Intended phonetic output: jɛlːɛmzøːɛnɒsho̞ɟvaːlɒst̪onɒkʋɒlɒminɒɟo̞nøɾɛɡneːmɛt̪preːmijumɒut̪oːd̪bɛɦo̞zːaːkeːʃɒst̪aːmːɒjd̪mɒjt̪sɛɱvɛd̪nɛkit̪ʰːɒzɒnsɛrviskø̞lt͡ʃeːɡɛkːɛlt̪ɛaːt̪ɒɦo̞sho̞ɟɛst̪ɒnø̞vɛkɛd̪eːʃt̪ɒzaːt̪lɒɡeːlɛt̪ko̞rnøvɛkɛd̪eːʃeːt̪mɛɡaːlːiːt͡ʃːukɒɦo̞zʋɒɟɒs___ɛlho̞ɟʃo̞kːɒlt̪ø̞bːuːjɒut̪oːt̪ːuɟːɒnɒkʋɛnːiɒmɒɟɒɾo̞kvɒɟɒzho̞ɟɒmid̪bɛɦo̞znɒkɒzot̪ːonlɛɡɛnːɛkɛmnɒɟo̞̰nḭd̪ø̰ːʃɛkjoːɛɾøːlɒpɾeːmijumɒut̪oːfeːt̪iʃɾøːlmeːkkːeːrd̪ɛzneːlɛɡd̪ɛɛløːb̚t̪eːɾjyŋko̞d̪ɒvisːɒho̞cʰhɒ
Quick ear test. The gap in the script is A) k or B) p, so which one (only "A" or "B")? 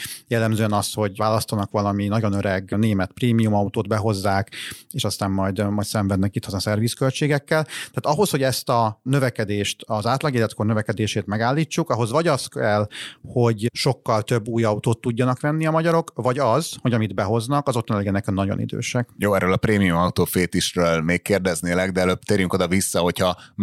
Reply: A